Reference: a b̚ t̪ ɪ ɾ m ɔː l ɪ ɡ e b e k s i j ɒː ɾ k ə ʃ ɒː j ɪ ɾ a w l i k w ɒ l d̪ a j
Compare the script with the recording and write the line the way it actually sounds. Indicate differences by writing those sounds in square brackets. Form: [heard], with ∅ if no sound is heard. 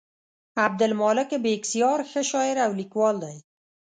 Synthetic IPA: a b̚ [d̪] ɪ [l] m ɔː l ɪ [k] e b e k s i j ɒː ɾ [x] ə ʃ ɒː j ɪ ɾ a w l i k w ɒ l d̪ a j